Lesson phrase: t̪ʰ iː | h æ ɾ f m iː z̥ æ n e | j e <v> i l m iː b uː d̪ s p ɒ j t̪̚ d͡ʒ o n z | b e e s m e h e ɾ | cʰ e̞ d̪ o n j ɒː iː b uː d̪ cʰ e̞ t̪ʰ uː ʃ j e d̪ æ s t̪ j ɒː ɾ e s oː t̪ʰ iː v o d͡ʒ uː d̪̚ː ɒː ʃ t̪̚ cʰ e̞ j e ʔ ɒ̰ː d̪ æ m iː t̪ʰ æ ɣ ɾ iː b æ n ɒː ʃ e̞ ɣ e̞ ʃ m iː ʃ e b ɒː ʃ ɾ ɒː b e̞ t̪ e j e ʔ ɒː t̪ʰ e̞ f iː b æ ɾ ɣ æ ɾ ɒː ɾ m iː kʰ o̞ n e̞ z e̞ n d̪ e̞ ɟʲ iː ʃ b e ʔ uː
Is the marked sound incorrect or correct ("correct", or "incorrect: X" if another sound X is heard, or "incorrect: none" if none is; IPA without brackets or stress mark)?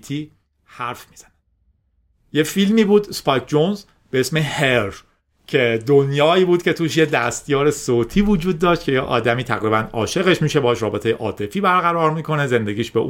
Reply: incorrect: f